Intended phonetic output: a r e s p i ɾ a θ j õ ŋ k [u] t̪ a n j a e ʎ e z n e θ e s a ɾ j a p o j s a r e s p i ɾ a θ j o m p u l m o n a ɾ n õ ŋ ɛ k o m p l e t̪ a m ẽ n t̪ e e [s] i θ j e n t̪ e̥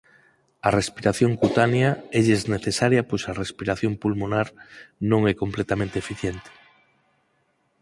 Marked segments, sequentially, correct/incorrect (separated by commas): correct, incorrect